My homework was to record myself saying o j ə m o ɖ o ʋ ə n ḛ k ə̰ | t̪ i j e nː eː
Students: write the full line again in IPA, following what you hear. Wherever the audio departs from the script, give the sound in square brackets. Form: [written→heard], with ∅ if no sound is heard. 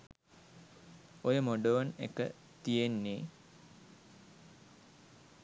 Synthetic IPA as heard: o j ə m o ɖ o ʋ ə n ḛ k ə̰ | t̪ i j e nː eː